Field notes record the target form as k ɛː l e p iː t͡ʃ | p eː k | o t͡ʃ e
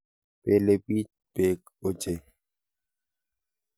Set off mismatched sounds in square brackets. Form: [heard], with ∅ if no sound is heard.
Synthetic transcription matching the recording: [p] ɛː l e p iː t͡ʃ | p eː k | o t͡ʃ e

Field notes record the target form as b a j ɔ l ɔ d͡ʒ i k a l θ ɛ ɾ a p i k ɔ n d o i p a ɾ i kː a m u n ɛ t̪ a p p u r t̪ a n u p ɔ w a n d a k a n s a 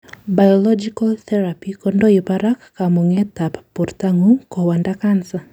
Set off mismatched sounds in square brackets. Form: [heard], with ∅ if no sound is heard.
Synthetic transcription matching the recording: b a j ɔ l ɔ d͡ʒ i k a l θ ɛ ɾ a p i k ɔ n d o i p a ɾ [a] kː a m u [ŋ] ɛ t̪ a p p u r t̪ a [ŋ] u [k] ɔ w a n d a k a n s a

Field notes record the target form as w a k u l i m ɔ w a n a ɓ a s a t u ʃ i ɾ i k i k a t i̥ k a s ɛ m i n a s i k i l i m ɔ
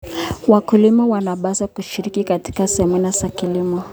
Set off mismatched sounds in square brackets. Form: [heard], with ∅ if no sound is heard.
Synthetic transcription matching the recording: w a k u l i m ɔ w a n a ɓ a s a [k] u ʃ i ɾ i k i k a t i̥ k a s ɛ m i n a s [a] k i l i m ɔ

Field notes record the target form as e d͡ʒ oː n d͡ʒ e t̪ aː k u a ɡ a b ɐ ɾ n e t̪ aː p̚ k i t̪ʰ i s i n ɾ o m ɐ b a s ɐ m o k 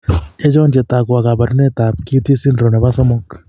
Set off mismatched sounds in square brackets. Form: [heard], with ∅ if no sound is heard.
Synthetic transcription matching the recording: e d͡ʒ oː n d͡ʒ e t̪ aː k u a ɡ a b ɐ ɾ n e t̪ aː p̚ k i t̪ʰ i s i n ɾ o [n] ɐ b a s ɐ m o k

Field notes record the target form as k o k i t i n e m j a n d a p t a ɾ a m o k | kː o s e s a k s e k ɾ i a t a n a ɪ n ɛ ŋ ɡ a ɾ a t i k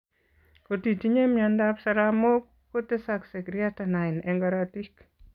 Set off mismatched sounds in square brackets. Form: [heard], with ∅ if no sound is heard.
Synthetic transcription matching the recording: k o [t] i t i [ɲ] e m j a n d a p [s] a ɾ a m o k | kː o [t] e s a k s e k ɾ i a t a n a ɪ n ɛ ŋ ɡ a ɾ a t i k

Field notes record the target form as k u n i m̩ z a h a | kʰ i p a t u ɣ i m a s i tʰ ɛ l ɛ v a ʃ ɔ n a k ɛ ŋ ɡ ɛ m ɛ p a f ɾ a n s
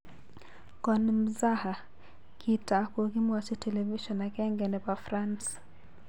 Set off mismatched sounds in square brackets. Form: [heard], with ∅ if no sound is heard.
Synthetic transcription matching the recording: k [ɔ] n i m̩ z a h a | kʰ i [t] a [k] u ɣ i m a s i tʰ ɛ l ɛ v [i] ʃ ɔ n a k ɛ ŋ ɡ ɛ [n] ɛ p a f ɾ a n s

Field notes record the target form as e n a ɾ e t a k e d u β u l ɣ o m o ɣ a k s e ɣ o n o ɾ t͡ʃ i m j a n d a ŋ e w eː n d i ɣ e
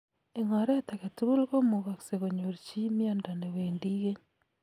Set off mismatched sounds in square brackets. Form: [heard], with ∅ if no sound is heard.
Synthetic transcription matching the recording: e [ŋ] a ɾ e t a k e [t] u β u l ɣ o m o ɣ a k s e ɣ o [ɲ] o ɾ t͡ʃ i m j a n d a [n] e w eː n d i ɣ e

